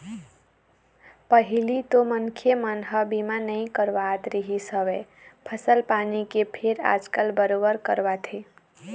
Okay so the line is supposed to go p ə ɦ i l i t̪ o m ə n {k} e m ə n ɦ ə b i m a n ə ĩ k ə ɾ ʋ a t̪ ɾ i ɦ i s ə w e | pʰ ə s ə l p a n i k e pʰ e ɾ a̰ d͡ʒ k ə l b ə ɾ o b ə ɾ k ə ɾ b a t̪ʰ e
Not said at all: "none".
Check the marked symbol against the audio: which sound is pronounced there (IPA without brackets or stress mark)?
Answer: kʰ